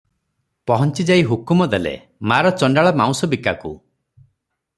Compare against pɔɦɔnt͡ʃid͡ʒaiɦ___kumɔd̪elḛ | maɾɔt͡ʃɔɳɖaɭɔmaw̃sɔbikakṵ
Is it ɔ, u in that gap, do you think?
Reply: u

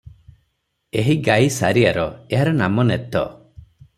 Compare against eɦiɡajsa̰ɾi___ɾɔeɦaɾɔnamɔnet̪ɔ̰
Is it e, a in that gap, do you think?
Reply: a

